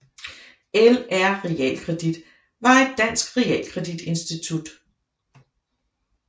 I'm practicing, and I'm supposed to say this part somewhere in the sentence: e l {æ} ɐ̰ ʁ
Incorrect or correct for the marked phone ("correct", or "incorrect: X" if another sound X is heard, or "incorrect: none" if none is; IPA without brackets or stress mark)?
correct